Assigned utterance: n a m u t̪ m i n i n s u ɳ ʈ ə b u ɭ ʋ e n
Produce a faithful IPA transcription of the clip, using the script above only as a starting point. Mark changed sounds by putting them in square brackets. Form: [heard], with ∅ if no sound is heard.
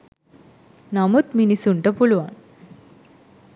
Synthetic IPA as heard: n a m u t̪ m i n i [∅] s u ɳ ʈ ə [p] u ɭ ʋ [a] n